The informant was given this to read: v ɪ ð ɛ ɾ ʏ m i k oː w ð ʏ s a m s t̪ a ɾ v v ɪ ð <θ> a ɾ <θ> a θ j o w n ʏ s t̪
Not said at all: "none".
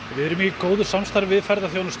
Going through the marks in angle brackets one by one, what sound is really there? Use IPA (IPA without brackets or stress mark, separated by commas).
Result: f, ð